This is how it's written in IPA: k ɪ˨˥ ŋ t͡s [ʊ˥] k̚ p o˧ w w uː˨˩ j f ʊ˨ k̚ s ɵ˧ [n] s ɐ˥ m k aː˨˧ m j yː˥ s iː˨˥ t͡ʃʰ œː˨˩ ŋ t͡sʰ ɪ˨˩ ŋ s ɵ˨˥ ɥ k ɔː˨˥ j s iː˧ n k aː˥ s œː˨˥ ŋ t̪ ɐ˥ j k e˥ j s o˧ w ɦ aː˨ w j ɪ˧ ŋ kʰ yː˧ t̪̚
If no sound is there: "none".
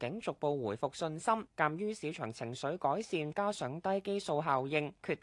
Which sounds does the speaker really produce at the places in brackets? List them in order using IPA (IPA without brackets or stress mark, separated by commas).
ʊ˨, n